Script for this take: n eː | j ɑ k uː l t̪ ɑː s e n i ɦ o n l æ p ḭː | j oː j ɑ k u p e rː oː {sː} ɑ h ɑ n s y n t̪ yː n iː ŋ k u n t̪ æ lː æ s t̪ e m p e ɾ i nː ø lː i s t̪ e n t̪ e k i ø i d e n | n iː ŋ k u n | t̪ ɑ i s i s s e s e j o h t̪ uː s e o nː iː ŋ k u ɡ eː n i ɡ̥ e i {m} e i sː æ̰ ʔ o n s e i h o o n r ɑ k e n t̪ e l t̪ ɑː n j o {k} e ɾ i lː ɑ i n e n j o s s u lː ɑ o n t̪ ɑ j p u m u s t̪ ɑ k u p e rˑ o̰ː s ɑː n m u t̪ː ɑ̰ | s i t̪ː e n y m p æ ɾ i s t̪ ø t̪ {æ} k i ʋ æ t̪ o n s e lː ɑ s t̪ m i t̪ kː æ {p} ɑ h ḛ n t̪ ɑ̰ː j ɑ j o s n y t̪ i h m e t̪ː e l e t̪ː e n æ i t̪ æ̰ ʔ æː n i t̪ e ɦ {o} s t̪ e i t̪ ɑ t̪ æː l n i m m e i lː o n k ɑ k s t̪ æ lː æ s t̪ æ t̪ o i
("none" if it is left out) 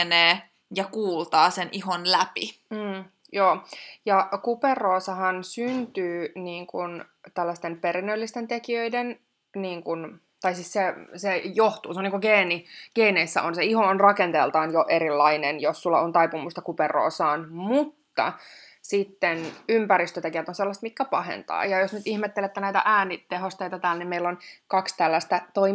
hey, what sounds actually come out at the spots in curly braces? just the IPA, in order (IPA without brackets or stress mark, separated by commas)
s, n, ʔ, e, p, o